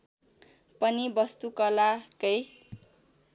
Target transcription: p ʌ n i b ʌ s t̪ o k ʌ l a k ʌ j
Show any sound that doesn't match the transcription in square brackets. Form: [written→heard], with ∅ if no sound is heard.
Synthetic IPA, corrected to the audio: p ʌ n i b ʌ s t̪ [o→u] k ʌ l a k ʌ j

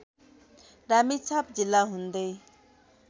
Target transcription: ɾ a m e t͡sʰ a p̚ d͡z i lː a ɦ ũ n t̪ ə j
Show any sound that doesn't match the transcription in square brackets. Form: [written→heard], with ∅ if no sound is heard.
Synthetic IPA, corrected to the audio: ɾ a m [e→i] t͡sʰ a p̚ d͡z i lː a ɦ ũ n [t̪→d̪] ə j

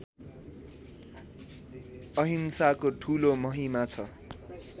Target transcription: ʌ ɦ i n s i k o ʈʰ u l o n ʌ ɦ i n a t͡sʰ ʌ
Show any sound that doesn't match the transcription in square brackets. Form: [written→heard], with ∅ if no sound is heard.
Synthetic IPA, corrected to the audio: ʌ ɦ i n s [i→a] k o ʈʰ u l o [n→m] ʌ ɦ i [n→m] a t͡sʰ ʌ

